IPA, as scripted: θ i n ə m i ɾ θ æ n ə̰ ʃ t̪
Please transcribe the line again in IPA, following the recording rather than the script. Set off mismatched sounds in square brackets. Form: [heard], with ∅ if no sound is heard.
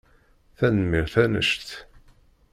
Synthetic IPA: θ [æ] n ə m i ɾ θ æ n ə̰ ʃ t̪

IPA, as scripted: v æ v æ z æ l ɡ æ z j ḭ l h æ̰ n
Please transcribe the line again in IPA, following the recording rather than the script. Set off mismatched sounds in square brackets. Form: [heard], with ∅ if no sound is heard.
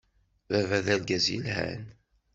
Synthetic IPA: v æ v æ [ð] æ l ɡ æ z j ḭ l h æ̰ n

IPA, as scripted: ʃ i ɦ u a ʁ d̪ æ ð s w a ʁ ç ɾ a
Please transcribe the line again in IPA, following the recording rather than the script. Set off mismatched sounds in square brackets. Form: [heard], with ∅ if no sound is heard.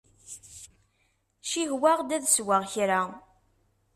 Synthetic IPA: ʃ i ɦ [w] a ʁ d̪ æ ð s w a ʁ ç ɾ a

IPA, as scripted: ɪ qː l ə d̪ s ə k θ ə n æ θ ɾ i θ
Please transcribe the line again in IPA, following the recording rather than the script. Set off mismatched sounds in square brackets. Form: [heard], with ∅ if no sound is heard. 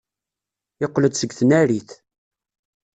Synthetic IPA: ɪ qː l ə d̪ s ə [ɡ] θ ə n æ [∅] ɾ i θ

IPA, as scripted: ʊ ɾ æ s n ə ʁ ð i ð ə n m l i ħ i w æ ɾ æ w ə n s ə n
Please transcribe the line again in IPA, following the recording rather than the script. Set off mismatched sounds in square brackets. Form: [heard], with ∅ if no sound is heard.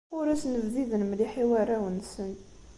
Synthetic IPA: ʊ ɾ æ s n ə [v] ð i ð ə n m l i ħ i w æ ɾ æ w ə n s ə n

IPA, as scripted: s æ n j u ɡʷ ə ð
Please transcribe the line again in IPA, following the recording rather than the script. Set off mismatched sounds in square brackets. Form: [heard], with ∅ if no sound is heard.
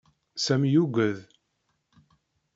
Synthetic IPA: s æ [m] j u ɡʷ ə ð

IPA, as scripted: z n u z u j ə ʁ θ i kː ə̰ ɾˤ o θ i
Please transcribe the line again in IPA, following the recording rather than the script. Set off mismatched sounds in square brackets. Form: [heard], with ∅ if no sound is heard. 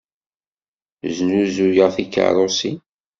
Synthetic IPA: z n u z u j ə ʁ θ i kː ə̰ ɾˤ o [s] i

